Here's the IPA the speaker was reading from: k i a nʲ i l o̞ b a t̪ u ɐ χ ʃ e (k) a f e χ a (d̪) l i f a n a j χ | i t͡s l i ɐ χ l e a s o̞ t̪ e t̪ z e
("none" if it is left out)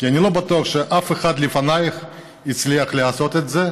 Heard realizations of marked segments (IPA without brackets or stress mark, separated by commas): ʔ, d̪